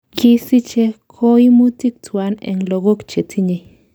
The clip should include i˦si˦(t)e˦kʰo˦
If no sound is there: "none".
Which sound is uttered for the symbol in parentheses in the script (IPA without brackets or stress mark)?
t͡ʃ